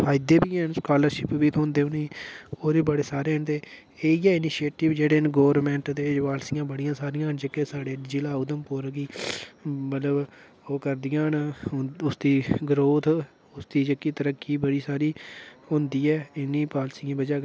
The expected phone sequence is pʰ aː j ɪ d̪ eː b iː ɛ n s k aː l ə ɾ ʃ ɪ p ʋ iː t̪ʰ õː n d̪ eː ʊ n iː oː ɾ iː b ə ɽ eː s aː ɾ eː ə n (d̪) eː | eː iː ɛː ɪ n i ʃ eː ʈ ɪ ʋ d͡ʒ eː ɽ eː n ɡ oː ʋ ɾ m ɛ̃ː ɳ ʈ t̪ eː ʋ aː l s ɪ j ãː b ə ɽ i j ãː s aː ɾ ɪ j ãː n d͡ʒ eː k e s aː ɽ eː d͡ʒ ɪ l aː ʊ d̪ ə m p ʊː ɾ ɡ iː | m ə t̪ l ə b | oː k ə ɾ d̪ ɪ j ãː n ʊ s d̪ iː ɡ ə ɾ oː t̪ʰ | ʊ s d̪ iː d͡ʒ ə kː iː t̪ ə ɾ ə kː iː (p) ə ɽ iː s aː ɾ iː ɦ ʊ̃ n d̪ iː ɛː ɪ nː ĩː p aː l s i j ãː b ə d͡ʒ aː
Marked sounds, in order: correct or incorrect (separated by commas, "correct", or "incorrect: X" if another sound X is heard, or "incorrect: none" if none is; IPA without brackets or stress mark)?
incorrect: t̪, incorrect: b